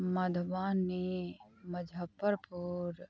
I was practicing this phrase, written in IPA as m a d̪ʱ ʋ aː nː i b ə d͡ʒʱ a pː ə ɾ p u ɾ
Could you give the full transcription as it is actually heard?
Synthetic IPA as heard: m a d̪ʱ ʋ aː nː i m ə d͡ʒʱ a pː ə ɾ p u ɾ

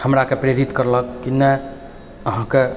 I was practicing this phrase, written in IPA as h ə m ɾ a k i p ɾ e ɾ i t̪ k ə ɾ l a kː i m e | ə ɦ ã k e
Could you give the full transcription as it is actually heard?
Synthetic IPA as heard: h ə m ɾ a k e p ɾ e ɾ i t̪ k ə ɾ l ə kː i n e | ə ɦ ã k e

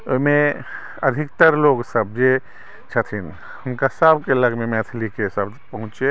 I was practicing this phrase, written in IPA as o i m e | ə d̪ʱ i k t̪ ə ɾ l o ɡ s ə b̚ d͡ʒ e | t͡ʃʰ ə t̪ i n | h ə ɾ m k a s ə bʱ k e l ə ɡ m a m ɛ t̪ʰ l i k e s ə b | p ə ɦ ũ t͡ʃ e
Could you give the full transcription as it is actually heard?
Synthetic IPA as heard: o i m e | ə d̪ʱ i k t̪ ə ɾ l o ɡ s ə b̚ d͡ʒ e | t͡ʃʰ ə t̪ʰ i n | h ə m k a s ə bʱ k e l ə ɡ m e m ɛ t̪ʰ l i k e s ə b | p ə ɦ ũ t͡ʃ e

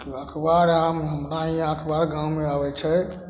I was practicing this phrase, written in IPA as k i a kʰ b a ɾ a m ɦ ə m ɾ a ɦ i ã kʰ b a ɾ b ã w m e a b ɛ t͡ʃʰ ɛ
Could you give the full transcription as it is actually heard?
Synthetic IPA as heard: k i a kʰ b a ɾ a m ɦ ə m ɾ a ɦ i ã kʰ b a ɾ ɡ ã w m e a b ɛ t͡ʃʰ ɛ

